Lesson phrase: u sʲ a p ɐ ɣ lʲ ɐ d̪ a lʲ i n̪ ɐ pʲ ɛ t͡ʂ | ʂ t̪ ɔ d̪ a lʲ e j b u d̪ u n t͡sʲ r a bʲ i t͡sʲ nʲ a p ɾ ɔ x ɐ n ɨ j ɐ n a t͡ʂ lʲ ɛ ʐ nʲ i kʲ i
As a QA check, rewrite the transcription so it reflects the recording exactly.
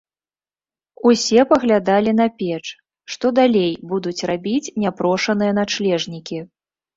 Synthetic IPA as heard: u sʲ ɛ p ɐ ɣ lʲ a d̪ a lʲ i n̪ ɐ pʲ ɛ t͡ʂ | ʂ t̪ ɔ d̪ a lʲ e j b u d̪ u t͡sʲ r a bʲ i t͡sʲ nʲ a p ɾ ɔ ʂ ɐ n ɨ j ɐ n a t͡ʂ lʲ ɛ ʐ nʲ i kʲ i